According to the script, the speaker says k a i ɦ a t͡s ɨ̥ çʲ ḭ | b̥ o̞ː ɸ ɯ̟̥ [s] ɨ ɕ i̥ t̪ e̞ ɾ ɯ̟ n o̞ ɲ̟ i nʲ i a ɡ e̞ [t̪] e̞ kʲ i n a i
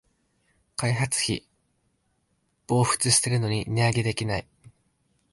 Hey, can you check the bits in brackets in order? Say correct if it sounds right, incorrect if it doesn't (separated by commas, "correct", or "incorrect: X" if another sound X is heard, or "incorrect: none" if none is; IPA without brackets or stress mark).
incorrect: t͡s, incorrect: d̪